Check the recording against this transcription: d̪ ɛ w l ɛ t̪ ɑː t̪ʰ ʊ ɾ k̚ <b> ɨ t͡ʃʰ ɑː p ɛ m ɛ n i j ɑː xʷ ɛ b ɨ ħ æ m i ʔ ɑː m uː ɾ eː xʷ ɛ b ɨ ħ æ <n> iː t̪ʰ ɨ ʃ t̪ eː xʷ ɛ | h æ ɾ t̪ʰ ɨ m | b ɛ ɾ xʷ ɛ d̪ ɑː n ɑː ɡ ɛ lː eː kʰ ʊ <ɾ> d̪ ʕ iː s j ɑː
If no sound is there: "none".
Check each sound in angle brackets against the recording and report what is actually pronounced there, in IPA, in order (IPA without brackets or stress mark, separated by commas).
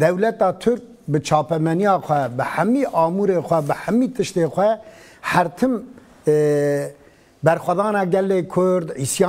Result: b, m, ɾ